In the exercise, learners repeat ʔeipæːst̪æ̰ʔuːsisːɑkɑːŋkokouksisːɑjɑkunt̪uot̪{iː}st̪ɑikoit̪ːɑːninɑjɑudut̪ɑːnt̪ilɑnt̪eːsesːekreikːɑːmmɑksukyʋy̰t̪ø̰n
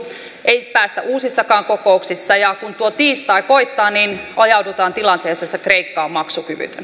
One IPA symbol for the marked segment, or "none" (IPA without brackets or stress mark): iː